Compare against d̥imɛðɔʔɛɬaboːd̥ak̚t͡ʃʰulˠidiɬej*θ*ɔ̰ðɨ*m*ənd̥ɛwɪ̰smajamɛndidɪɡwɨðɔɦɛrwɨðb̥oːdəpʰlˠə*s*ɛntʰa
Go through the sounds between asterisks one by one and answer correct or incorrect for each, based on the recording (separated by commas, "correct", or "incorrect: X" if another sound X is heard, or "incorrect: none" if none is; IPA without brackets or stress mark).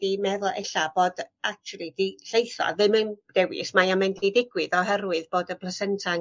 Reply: correct, correct, correct